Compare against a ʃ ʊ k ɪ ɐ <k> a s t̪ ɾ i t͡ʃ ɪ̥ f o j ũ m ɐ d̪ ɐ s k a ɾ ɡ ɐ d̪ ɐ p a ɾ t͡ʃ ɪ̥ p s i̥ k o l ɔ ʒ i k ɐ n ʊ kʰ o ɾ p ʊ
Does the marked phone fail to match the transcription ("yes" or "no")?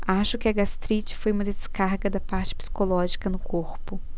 yes